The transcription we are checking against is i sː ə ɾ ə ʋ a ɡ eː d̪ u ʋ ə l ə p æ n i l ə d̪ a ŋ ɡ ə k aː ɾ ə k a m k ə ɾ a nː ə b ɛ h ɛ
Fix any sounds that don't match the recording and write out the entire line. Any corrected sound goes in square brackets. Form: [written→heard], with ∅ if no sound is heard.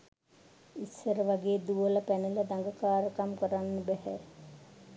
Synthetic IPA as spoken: i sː ə ɾ ə ʋ a ɡ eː d̪ u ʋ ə l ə p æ n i l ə d̪ a ŋ ɡ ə k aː ɾ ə k a m k ə ɾ a nː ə b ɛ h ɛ

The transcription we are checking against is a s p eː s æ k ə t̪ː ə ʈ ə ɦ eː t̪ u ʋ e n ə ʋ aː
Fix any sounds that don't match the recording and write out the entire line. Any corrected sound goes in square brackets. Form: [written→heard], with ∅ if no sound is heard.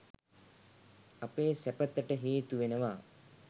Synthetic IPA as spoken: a [s→∅] p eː s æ [k→p] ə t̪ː ə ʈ ə ɦ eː t̪ u ʋ e n ə ʋ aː

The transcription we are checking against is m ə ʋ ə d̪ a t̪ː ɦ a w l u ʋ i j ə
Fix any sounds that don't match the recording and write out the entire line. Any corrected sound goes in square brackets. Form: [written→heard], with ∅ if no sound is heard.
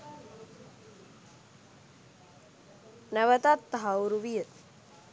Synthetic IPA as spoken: [m→n] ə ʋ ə [d̪→t̪] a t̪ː ɦ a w [l→ɾ] u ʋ i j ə

